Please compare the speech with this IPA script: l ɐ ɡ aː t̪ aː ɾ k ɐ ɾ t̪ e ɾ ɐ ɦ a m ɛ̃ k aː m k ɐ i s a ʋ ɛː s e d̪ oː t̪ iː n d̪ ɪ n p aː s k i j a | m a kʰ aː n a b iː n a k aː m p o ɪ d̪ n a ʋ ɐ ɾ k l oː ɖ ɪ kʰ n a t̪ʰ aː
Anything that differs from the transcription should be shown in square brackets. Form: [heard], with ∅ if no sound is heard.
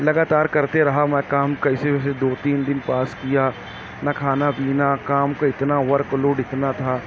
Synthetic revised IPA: l ɐ ɡ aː t̪ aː ɾ k ɐ ɾ t̪ e ɾ ɐ ɦ a m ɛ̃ k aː m k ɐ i s [e] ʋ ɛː s e d̪ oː t̪ iː n d̪ ɪ n p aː s k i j a | [n] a kʰ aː n a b iː n a k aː m [k] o ɪ [t̪] n a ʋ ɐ ɾ k l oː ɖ ɪ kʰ n a t̪ʰ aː